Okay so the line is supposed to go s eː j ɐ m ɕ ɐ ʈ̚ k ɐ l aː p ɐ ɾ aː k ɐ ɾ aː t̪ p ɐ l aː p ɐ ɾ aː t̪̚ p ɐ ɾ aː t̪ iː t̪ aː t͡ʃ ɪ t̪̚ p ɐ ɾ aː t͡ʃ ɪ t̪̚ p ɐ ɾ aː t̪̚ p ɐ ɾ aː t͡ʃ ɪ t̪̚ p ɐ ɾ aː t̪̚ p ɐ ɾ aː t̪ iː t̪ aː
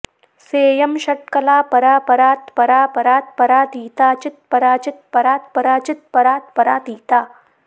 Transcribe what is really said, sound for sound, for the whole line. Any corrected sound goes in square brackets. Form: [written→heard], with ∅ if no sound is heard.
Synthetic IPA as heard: s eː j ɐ m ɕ ɐ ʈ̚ k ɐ l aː p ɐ ɾ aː [k→p] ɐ ɾ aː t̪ p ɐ [l→ɾ] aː p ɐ ɾ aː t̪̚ p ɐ ɾ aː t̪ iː t̪ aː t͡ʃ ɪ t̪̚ p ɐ ɾ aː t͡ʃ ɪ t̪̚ p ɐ ɾ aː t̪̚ p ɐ ɾ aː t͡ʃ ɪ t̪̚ p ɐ ɾ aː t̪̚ p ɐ ɾ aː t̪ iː t̪ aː